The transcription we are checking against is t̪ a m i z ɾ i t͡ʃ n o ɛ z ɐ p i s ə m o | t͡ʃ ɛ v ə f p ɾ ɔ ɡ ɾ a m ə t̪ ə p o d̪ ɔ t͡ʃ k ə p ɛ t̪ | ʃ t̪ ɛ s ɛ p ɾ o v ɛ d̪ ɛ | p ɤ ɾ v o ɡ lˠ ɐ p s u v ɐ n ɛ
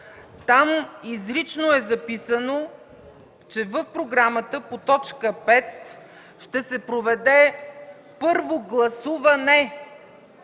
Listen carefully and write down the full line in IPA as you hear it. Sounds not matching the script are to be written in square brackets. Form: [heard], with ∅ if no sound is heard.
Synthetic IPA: t̪ a m i z ɾ i t͡ʃ n o ɛ z ɐ p i s ə [n] o | t͡ʃ ɛ v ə f p ɾ [o] ɡ ɾ a m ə t̪ ə p o [t̪] ɔ t͡ʃ k ə p ɛ t̪ | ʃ t̪ ɛ s ɛ p ɾ o v ɛ d̪ ɛ | p ɤ ɾ v o ɡ lˠ ɐ [∅] s u v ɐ n ɛ